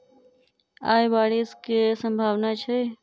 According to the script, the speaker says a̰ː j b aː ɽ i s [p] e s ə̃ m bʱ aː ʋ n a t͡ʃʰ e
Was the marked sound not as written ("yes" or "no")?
yes